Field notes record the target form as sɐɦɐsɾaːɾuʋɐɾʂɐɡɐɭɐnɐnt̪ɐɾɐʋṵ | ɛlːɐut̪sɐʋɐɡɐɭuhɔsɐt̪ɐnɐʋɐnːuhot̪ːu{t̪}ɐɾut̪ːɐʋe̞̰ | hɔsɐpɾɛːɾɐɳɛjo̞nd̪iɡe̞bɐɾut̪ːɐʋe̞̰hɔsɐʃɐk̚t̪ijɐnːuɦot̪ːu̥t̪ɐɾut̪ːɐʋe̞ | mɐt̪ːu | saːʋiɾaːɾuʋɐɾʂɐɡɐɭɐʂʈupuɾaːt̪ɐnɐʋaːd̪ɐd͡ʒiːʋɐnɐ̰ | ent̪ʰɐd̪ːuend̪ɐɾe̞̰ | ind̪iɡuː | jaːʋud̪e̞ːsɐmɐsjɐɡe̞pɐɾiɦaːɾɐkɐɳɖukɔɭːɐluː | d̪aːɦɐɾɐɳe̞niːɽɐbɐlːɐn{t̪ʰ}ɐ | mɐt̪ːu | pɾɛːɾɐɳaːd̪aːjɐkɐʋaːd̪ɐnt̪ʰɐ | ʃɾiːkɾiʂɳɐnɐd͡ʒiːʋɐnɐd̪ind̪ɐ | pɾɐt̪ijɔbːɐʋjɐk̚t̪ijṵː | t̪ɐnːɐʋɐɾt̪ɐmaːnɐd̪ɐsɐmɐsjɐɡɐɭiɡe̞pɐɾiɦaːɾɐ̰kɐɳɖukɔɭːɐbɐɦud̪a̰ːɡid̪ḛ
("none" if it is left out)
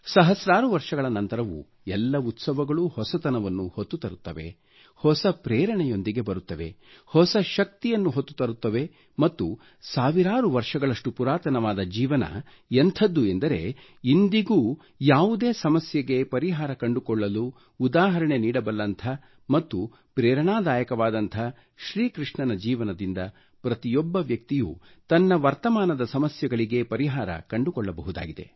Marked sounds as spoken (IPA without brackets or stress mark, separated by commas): t̪, t̪ʰ